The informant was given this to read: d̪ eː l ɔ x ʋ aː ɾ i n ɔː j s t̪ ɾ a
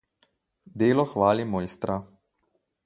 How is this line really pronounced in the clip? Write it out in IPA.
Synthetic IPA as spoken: d̪ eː l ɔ x ʋ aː l i m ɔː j s t̪ ɾ a